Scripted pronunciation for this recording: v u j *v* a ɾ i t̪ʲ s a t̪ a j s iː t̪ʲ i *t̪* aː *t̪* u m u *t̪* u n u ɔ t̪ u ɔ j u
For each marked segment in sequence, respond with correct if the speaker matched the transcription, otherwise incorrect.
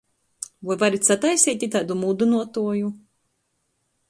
correct, correct, incorrect, incorrect

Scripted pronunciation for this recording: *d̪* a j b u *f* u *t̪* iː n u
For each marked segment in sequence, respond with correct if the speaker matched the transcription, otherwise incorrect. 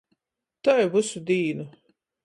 incorrect, incorrect, incorrect

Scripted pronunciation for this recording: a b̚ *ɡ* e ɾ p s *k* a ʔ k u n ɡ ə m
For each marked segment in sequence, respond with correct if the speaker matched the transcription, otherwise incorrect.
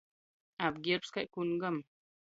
correct, correct

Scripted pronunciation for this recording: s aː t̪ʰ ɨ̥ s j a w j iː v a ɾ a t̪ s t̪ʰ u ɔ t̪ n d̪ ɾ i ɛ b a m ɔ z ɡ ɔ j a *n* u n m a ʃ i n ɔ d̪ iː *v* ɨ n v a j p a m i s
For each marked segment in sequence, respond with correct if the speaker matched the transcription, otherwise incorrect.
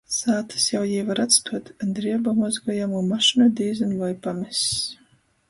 incorrect, incorrect

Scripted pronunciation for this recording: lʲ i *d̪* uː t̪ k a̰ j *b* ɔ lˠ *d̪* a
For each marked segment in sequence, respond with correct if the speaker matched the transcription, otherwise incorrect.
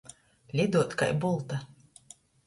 correct, correct, incorrect

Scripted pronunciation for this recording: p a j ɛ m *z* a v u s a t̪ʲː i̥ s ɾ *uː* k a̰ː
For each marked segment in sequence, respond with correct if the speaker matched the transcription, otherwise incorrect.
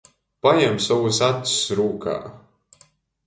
incorrect, correct

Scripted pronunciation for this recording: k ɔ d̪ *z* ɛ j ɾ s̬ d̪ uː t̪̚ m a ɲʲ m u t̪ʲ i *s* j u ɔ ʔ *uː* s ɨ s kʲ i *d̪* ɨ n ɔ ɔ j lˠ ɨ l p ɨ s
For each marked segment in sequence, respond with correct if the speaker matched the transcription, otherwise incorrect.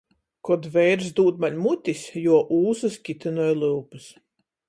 incorrect, correct, correct, incorrect

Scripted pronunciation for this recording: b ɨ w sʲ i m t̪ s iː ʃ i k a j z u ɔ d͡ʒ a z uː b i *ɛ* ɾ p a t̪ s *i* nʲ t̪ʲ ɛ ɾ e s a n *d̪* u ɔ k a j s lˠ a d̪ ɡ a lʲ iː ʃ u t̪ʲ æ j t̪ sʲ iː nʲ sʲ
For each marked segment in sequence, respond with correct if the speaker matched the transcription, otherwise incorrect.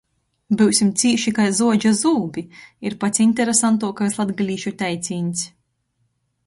incorrect, correct, incorrect

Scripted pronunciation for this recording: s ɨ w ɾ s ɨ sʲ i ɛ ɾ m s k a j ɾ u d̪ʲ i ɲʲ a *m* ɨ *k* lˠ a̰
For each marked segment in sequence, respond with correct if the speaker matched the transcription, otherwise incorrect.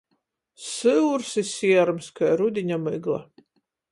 correct, incorrect

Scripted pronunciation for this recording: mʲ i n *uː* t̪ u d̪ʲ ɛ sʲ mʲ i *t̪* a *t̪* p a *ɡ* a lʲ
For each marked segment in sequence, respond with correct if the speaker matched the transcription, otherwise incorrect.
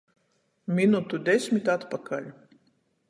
incorrect, correct, correct, incorrect

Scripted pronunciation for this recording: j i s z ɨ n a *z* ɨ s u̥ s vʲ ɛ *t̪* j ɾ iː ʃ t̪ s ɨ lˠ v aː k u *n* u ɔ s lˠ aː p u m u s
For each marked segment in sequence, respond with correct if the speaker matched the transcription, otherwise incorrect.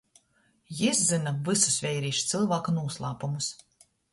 incorrect, incorrect, correct

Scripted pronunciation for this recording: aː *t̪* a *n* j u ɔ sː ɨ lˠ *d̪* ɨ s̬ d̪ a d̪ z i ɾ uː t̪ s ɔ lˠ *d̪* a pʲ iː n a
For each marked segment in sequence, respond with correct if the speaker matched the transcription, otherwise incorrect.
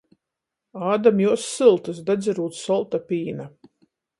incorrect, incorrect, incorrect, incorrect

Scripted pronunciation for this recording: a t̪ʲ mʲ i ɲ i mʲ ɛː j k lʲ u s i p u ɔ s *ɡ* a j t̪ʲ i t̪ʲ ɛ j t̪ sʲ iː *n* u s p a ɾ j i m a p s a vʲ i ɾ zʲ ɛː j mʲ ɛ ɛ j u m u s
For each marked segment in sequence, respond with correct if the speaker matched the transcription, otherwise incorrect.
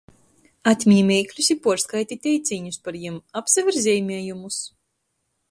incorrect, incorrect

